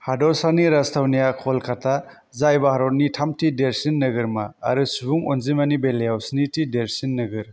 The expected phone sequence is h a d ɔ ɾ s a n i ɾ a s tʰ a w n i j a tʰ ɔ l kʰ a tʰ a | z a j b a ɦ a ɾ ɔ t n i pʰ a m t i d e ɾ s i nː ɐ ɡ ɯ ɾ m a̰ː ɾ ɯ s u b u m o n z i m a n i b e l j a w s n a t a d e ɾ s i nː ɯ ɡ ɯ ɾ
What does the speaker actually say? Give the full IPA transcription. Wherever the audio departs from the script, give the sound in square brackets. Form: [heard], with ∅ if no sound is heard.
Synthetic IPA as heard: h a d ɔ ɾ s a n i ɾ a s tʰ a w n i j a [kʰ] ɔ l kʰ a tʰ a | z a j b a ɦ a ɾ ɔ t n i [tʰ] a m t i d e ɾ s i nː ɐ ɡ ɯ ɾ m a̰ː ɾ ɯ s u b u [ŋ] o n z i m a n i b e l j a w s n [i] t [i] d e ɾ s i nː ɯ ɡ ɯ ɾ

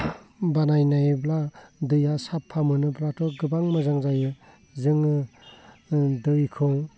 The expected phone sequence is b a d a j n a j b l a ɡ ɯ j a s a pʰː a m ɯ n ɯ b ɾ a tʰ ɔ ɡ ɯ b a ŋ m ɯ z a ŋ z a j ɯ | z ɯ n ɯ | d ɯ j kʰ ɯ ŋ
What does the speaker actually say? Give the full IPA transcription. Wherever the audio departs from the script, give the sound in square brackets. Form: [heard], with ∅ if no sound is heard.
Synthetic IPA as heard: b a [n] a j n a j b l a [d] ɯ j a s a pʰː a m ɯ n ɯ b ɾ a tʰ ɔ ɡ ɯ b a ŋ m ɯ z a ŋ z a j ɯ | z ɯ [ŋ] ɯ | d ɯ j kʰ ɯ ŋ

